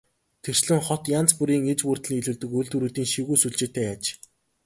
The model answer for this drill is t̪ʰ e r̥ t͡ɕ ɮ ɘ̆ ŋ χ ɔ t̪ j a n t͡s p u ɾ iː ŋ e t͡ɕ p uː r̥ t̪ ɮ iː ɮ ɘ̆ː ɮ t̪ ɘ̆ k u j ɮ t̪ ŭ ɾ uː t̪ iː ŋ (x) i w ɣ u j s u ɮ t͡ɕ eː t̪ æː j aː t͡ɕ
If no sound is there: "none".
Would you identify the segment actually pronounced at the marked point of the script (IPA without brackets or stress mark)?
ʃ